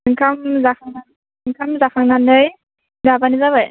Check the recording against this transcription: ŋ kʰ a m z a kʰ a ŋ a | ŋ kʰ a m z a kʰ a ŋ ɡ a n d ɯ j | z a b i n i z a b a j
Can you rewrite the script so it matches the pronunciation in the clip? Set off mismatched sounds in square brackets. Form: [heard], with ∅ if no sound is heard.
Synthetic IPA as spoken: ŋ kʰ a m z a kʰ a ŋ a | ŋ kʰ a m z a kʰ a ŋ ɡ a n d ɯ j | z a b [a] n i z a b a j